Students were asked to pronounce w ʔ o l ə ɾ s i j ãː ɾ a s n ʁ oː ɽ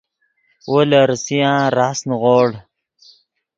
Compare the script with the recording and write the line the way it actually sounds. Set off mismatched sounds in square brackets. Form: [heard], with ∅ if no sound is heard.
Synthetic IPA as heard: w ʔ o l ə ɾ s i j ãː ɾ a s n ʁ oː ɽ

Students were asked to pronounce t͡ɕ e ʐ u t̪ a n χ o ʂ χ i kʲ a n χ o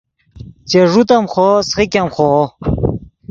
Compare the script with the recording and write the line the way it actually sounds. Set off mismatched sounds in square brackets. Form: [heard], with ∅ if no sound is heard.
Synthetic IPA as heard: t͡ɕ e ʐ u t̪ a [m] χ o [s] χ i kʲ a [m] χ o

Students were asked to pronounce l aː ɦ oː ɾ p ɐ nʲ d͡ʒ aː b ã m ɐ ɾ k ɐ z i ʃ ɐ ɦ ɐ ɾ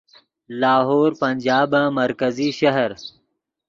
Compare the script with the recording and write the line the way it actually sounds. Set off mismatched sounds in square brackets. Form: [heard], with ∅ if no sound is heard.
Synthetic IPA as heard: l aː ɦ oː ɾ p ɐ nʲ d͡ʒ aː b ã m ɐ ɾ k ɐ z i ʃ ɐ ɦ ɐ ɾ

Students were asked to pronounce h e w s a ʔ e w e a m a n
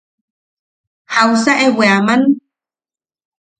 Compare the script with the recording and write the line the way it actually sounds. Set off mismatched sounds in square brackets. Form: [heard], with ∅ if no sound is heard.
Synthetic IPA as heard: h [a] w s a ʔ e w e a m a n

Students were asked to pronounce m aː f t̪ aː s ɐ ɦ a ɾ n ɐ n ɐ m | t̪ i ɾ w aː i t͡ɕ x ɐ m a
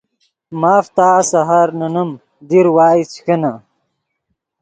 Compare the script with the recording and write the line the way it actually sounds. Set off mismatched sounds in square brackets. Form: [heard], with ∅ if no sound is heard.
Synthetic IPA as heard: m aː f t̪ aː s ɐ ɦ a ɾ n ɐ n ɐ m | [d̪] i ɾ w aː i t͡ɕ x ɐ [n] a

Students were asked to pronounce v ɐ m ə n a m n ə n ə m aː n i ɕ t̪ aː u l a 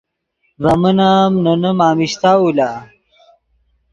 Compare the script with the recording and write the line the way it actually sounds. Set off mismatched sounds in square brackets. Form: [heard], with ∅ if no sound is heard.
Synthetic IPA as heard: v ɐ m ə n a m n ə n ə m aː [m] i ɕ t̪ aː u l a

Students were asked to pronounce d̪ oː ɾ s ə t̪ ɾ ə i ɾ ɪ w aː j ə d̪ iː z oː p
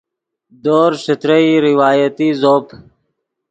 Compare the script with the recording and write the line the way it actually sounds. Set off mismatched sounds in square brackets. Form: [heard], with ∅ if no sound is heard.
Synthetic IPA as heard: d̪ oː ɾ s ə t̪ ɾ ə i ɾ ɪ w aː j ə [t̪] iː z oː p

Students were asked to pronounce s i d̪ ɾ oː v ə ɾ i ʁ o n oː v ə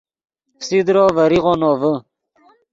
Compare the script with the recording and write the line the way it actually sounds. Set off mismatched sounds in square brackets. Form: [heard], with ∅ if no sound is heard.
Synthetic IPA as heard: s i d̪ ɾ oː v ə ɾ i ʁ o n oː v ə

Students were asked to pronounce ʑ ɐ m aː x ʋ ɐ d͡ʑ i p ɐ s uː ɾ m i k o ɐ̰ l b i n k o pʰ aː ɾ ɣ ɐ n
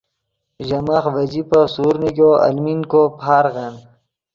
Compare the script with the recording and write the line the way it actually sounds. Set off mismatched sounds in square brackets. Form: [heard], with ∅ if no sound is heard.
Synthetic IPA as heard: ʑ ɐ m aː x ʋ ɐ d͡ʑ i p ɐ s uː ɾ [n] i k o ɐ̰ l [m] i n k o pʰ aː ɾ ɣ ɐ n

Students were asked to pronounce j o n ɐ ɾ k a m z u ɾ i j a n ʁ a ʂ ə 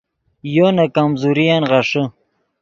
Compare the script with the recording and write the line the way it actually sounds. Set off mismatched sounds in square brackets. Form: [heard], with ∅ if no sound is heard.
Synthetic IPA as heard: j o n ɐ [∅] k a m z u ɾ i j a n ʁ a ʂ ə

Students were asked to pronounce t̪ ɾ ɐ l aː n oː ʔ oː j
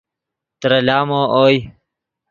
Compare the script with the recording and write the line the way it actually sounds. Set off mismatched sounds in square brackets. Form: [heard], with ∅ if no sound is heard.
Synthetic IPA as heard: t̪ ɾ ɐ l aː [m] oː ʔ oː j

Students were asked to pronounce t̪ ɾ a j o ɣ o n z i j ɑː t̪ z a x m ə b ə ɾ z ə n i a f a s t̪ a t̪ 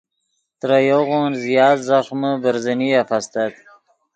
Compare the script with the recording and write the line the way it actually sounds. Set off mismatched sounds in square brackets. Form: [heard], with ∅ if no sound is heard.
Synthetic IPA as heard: t̪ ɾ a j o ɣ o n z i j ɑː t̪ z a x m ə b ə ɾ z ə n i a f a s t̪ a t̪

